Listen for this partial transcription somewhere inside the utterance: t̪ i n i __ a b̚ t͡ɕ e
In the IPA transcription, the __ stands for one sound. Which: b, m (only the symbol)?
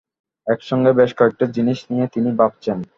b